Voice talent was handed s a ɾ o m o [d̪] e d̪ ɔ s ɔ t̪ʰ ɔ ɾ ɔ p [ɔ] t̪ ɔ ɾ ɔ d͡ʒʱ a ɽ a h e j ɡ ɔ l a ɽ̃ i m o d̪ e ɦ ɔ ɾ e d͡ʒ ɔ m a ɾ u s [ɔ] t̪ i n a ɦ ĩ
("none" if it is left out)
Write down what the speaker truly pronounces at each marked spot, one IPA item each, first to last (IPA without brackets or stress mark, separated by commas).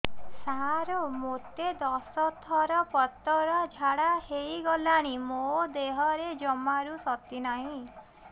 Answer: t̪, ɔ, ɔ